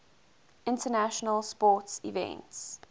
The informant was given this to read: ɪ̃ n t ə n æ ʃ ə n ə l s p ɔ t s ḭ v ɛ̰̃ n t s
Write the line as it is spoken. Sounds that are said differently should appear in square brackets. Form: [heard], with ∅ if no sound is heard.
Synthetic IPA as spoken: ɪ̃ n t ə n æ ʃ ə n ə l s p ɔ t s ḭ v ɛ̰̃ n t s